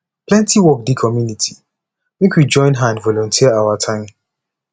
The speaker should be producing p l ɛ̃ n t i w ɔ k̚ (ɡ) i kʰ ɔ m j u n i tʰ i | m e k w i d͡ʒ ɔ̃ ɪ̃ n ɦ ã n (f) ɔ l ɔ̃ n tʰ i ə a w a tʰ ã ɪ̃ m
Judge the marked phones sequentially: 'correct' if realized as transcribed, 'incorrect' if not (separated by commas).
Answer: incorrect, incorrect